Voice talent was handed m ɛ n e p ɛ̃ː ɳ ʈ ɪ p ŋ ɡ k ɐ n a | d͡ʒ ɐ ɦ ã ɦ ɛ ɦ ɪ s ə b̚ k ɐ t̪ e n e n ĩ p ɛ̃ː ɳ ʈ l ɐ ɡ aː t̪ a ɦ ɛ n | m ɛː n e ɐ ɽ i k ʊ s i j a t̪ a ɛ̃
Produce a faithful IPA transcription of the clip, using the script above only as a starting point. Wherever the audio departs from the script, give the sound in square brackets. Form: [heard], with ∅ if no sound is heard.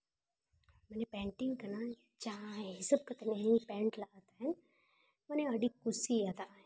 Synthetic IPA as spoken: m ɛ n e p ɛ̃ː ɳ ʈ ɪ [∅] ŋ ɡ k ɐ n a | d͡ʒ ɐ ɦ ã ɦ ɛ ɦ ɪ s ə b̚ k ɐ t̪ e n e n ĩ p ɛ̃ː ɳ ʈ l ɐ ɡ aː t̪ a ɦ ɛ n | m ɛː n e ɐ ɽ i k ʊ s i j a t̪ a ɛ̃

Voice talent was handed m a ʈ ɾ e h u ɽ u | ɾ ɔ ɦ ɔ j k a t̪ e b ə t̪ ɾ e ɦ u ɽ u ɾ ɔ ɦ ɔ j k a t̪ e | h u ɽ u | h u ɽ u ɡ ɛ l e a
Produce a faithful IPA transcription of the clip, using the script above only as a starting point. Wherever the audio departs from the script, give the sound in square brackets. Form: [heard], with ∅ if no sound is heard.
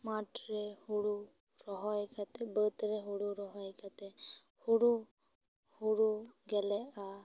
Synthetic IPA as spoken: m a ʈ ɾ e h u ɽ u | ɾ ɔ ɦ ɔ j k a t̪ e b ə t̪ ɾ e ɦ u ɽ u ɾ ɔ ɦ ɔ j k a t̪ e | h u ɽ u | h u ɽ u ɡ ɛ l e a

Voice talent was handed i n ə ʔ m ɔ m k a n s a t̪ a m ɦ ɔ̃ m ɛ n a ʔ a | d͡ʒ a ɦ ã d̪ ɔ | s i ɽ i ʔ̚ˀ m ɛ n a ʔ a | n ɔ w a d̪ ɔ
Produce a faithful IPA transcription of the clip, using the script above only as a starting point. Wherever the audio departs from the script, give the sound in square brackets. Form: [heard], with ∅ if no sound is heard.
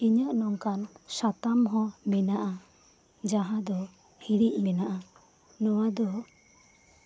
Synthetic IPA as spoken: i [ɲ] ə ʔ [n] ɔ [ŋ] k a n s a t̪ a m ɦ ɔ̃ m ɛ n a ʔ a | d͡ʒ a ɦ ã d̪ ɔ | [h] i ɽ i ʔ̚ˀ m ɛ n a ʔ a | n ɔ w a d̪ ɔ

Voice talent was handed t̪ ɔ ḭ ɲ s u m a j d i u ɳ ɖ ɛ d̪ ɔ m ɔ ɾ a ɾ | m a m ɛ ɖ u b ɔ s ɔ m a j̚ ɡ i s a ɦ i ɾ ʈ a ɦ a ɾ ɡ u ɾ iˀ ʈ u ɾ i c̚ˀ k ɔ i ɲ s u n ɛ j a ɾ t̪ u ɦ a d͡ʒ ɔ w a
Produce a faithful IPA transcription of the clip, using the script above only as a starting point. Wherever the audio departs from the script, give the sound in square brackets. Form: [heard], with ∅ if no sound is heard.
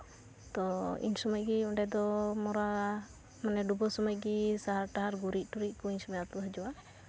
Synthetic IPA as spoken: t̪ ɔ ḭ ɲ s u m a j [ɡ] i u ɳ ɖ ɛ d̪ ɔ m ɔ ɾ a [∅] | m a [n] ɛ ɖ u b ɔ s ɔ m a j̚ ɡ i s a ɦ [a] ɾ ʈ a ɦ a ɾ ɡ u ɾ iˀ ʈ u ɾ i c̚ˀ k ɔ i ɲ s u [m] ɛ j a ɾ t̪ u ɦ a d͡ʒ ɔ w a

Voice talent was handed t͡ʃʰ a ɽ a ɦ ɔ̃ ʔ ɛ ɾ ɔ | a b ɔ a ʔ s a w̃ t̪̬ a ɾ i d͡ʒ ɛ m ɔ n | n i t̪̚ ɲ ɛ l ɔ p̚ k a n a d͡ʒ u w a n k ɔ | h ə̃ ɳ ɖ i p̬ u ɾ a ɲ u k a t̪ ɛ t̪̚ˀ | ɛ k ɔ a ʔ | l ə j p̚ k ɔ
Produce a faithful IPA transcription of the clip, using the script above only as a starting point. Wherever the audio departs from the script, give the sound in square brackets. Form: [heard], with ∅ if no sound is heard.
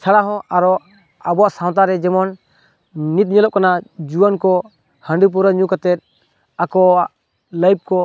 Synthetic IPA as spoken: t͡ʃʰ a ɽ a ɦ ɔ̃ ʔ [a] ɾ ɔ | a b ɔ a ʔ s a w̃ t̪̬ a ɾ [ɛ] d͡ʒ ɛ m ɔ n | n i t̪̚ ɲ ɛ l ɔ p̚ k a n a d͡ʒ u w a n k ɔ | h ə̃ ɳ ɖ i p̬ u ɾ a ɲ u k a t̪ ɛ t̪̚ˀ | [a] k ɔ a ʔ | l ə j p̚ k ɔ

